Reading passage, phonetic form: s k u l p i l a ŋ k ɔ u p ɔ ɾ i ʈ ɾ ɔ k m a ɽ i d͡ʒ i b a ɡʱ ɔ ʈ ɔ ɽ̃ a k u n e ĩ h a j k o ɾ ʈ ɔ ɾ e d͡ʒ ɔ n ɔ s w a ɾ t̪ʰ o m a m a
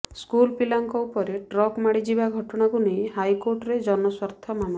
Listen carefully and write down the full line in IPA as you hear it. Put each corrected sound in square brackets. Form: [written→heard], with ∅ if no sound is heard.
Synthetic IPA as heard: s k u l p i l a ŋ k ɔ u p ɔ ɾ [i→e] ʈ ɾ ɔ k m a ɽ i d͡ʒ i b a ɡʱ ɔ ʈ ɔ ɽ̃ a k u n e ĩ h a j k o ɾ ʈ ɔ ɾ e d͡ʒ ɔ n ɔ s w a ɾ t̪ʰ [o→ɔ] m a m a

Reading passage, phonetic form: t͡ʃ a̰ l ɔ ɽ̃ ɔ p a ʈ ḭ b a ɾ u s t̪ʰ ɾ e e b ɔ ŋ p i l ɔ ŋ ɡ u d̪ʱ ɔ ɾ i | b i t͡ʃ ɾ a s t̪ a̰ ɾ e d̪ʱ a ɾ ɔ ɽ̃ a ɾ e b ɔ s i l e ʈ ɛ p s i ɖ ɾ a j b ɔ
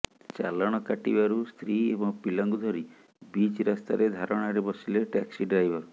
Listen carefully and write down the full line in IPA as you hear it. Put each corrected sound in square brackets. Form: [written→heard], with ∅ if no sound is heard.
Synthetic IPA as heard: t͡ʃ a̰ l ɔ ɽ̃ ɔ [p→k] a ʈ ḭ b a ɾ u s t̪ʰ ɾ [e→i] e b ɔ ŋ p i l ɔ ŋ ɡ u d̪ʱ ɔ ɾ i | b i t͡ʃ ɾ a s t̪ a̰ ɾ e d̪ʱ a ɾ ɔ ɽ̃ a ɾ e b ɔ s i l e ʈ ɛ [p→k] s i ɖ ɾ a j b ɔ

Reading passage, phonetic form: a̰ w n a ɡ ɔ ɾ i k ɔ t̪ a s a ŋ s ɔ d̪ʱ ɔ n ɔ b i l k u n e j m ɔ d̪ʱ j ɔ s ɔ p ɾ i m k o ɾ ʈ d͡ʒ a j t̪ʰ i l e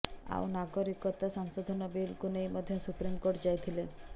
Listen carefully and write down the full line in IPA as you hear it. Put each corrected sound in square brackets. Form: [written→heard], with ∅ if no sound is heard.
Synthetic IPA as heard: a̰ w n a ɡ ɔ ɾ i k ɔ t̪ a s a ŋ s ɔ d̪ʱ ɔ n ɔ b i l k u n e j m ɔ d̪ʱ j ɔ s [ɔ→u] p ɾ i m k o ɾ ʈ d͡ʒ a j t̪ʰ i l e

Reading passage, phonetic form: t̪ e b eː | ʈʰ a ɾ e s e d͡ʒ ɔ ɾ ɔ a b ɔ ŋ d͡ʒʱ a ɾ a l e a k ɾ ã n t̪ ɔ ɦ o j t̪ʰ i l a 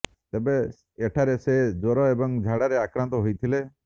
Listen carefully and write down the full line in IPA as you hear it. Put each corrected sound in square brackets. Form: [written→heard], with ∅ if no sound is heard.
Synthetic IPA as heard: t̪ e b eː | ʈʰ a ɾ e s e d͡ʒ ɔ ɾ ɔ [a→e] b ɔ ŋ d͡ʒʱ a [ɾ→ɽ] a [l→ɾ] e a k ɾ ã n t̪ ɔ ɦ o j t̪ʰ i l [a→e]

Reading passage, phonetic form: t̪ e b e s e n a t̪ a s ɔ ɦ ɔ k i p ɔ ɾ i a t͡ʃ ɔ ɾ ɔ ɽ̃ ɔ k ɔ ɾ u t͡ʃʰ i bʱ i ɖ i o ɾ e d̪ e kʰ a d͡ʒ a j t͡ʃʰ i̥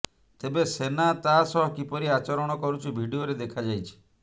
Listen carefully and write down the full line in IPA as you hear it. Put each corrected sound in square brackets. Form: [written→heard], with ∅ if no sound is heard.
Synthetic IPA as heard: t̪ e b e s e n a t̪ a s ɔ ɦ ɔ k i p ɔ ɾ i a t͡ʃ ɔ ɾ ɔ ɽ̃ ɔ k ɔ ɾ u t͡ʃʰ i bʱ i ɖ i o ɾ e d̪ e kʰ a d͡ʒ a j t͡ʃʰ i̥

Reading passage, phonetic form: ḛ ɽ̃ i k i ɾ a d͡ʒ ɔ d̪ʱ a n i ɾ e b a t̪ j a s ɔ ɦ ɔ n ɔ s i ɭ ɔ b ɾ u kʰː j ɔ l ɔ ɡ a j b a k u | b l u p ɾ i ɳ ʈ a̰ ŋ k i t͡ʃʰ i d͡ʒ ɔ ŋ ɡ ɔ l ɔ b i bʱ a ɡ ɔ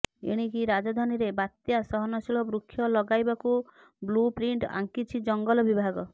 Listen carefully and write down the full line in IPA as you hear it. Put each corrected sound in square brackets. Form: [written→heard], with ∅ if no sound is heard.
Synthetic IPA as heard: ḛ ɽ̃ i k i ɾ a d͡ʒ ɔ d̪ʱ a n i ɾ e b a t̪ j a s ɔ ɦ ɔ n ɔ s i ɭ ɔ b ɾ u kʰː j ɔ l ɔ ɡ a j b a k u | b l u p ɾ i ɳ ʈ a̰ ŋ k i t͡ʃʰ i d͡ʒ ɔ ŋ ɡ ɔ l ɔ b i bʱ a ɡ ɔ

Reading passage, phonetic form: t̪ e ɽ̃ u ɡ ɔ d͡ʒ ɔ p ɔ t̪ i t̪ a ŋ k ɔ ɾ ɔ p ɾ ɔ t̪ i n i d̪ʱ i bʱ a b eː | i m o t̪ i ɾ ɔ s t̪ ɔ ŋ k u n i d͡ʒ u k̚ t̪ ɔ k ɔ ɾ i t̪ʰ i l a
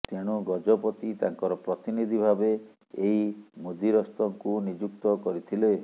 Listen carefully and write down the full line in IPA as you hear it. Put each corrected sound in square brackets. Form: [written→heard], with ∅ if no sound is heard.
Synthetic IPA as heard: t̪ e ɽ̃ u ɡ ɔ d͡ʒ ɔ p ɔ t̪ i t̪ a ŋ k ɔ ɾ ɔ p ɾ ɔ t̪ i n i d̪ʱ i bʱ a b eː | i m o [t̪→d̪] i ɾ ɔ s t̪ ɔ ŋ k u n i d͡ʒ u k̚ t̪ ɔ k ɔ ɾ i t̪ʰ i l [a→e]

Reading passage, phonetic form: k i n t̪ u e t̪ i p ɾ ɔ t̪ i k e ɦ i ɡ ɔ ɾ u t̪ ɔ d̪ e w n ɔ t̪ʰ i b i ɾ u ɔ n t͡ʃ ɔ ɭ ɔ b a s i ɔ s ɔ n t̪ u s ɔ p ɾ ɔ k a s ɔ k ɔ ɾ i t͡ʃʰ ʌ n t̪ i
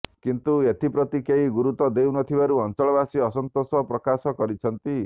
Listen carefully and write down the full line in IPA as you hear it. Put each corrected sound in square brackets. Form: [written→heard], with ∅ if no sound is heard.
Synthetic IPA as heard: k i n t̪ u e t̪ i p ɾ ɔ t̪ i k e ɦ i ɡ [ɔ→u] ɾ u t̪ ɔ d̪ e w n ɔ t̪ʰ i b [i→a] ɾ u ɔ n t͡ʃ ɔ ɭ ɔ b a s i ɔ s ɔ n t̪ [u→o] s ɔ p ɾ ɔ k a s ɔ k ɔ ɾ i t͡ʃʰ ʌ n t̪ i

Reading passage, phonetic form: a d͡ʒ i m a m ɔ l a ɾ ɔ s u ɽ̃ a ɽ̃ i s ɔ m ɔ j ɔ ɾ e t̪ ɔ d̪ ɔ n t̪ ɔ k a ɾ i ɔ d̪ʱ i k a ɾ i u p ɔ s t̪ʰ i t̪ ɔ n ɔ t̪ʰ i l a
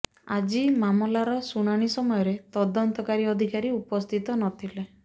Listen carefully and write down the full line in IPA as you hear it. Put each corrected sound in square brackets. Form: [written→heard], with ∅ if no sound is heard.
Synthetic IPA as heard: a d͡ʒ i m a m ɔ l a ɾ ɔ s u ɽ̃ a ɽ̃ i s ɔ m ɔ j ɔ ɾ e t̪ ɔ d̪ ɔ n t̪ ɔ k a ɾ i ɔ d̪ʱ i k a ɾ i u p ɔ s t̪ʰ i t̪ ɔ n ɔ t̪ʰ i l [a→e]

